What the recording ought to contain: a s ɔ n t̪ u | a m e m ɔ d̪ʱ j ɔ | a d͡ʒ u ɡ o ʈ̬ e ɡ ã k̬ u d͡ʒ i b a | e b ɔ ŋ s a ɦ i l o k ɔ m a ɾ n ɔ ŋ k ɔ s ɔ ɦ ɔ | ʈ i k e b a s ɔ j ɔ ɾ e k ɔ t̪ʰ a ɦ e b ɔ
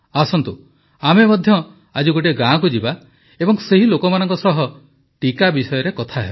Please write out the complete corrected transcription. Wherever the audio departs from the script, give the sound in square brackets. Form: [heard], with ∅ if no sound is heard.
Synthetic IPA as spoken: a s ɔ n t̪ u | a m e m ɔ d̪ʱ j ɔ | a d͡ʒ u ɡ o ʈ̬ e ɡ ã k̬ u d͡ʒ i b a | e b ɔ ŋ s [e] ɦ i l o k ɔ m a [∅] n ɔ ŋ k ɔ s ɔ ɦ ɔ | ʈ i k [a] b [i] s ɔ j ɔ ɾ e k ɔ t̪ʰ a ɦ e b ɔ